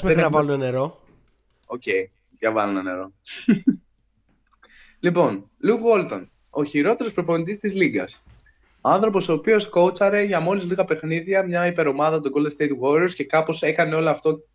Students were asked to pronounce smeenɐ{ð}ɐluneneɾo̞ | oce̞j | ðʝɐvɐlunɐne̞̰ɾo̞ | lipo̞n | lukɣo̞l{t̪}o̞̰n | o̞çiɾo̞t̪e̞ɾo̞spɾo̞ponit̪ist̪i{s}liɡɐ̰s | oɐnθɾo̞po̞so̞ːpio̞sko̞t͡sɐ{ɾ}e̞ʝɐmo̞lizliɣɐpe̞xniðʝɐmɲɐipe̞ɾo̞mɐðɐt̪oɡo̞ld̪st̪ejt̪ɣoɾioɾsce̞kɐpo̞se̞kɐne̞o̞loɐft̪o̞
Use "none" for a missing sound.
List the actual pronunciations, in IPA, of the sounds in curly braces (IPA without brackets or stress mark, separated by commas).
v, t̪, z, ɾ